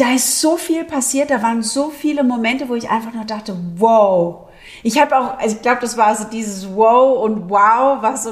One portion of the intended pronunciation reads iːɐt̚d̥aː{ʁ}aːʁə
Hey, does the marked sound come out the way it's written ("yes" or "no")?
no